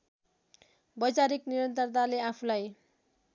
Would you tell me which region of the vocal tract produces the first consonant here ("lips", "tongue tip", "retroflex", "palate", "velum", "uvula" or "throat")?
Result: lips